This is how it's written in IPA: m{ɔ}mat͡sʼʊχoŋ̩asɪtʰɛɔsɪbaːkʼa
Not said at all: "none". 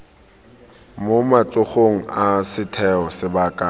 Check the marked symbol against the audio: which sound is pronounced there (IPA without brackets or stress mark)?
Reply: o